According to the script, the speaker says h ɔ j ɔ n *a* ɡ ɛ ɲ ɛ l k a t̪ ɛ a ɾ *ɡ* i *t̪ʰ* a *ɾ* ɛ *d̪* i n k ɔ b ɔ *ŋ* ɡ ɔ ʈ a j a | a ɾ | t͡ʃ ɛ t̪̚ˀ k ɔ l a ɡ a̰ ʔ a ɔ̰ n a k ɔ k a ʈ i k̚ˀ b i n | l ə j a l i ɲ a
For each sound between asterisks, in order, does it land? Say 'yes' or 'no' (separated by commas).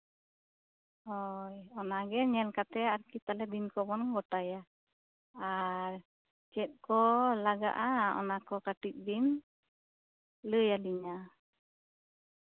yes, no, no, no, yes, no